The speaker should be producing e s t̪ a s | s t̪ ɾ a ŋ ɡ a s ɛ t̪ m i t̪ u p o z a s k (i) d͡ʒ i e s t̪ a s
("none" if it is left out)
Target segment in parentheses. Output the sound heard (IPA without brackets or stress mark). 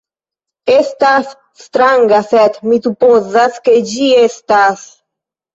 e